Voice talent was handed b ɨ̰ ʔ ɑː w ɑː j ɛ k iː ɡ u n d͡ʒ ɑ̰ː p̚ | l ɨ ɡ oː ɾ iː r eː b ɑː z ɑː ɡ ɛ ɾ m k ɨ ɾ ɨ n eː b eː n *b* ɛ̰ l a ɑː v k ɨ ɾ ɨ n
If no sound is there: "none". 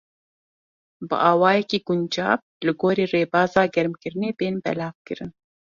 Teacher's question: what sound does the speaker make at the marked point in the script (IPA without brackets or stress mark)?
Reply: b